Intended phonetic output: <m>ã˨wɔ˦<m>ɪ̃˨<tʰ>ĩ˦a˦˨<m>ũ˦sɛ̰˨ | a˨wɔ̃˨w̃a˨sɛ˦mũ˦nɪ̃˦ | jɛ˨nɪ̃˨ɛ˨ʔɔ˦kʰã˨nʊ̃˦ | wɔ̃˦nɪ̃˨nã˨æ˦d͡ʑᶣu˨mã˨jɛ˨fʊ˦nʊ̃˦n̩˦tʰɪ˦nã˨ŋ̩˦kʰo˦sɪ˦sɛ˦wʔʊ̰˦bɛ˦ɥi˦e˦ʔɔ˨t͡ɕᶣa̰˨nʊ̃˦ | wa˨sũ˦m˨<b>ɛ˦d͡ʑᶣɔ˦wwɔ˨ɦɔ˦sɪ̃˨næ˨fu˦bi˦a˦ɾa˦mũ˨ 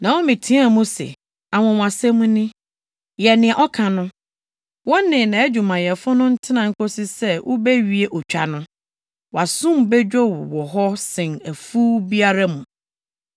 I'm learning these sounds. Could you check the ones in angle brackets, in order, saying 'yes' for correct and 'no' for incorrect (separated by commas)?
no, yes, yes, yes, yes